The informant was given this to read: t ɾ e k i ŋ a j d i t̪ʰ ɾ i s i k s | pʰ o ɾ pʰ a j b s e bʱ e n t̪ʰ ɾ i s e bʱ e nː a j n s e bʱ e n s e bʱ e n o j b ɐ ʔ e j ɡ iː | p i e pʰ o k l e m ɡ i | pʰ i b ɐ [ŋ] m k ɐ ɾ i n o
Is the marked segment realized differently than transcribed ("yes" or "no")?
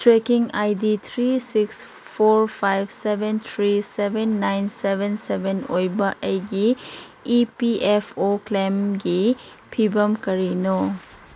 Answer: yes